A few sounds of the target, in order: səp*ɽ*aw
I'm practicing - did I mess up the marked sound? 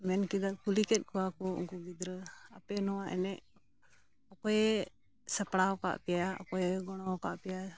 no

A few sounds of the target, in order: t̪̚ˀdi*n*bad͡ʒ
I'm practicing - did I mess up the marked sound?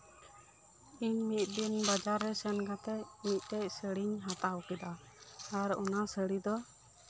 no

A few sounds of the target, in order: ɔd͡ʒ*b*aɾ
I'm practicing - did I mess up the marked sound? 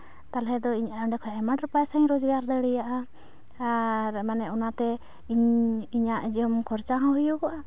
yes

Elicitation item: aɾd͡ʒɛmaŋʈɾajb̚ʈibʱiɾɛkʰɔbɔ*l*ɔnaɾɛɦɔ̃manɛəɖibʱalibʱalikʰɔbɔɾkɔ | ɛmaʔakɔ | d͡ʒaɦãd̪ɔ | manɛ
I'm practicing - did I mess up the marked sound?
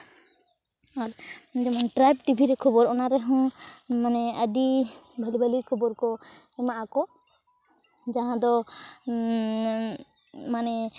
yes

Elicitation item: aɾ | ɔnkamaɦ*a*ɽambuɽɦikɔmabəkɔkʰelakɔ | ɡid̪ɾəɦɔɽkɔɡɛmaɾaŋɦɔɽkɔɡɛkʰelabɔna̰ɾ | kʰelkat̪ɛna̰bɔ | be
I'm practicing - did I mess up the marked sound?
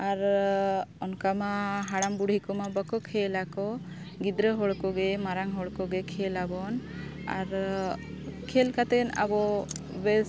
no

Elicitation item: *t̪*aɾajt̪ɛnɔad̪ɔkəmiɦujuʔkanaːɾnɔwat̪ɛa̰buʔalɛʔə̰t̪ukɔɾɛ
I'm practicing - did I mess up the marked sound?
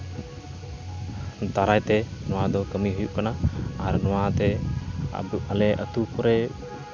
no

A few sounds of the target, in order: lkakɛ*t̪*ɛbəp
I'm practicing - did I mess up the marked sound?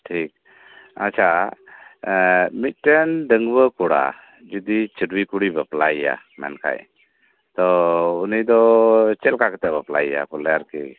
no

